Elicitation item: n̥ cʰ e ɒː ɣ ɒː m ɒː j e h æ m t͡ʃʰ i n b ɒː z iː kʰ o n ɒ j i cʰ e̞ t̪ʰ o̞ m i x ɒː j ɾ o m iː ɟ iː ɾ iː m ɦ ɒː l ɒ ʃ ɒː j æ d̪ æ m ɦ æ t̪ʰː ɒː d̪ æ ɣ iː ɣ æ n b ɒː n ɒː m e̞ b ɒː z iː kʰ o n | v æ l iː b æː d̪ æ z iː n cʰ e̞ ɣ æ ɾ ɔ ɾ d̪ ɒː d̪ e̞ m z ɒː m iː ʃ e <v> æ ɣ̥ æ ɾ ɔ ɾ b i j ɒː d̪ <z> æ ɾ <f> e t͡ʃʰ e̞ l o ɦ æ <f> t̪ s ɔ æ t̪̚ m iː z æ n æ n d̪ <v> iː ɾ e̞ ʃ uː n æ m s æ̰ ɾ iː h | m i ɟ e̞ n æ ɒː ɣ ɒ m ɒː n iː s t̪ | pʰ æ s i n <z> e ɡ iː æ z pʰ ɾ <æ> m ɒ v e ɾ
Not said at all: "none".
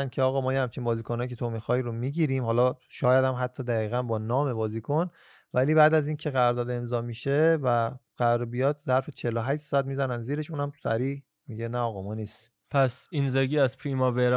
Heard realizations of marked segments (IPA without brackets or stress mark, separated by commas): v, z, f, ʃ, z, z, i